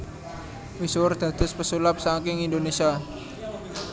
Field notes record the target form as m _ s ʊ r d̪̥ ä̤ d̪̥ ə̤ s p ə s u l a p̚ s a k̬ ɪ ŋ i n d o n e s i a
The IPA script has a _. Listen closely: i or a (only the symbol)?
i